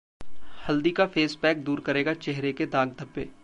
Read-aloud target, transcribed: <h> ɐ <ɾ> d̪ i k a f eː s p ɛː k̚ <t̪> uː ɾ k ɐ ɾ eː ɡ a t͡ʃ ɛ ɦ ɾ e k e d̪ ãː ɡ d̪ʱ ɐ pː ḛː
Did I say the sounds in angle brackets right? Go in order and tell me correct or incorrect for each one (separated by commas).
correct, incorrect, incorrect